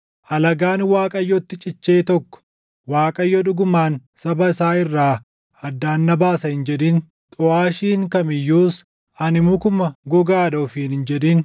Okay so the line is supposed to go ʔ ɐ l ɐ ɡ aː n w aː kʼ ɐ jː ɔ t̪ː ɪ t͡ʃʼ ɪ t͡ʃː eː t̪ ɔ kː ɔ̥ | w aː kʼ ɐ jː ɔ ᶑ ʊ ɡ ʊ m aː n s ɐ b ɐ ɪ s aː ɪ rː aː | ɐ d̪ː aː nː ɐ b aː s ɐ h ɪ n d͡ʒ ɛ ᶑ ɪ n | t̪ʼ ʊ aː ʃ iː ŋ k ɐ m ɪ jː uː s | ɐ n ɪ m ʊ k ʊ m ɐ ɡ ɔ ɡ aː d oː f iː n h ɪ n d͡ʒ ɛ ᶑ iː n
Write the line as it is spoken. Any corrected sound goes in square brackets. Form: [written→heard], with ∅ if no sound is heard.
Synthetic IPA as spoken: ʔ ɐ l ɐ ɡ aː n w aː kʼ ɐ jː ɔ t̪ː ɪ t͡ʃʼ ɪ t͡ʃː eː t̪ ɔ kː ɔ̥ | w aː kʼ ɐ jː ɔ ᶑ ʊ ɡ ʊ m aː n s ɐ b ɐ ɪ s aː ɪ rː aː | ɐ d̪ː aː nː ɐ b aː s ɐ h ɪ n d͡ʒ ɛ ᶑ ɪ n | t̪ʼ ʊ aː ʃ iː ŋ k ɐ m ɪ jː uː s | ɐ n ɪ m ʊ k ʊ m ɐ ɡ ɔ ɡ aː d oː f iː n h ɪ n d͡ʒ ɛ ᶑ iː n